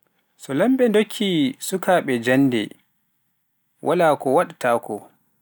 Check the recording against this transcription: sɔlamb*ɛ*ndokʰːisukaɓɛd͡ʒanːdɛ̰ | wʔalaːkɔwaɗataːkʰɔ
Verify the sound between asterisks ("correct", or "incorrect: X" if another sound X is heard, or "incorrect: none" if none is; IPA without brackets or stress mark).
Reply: correct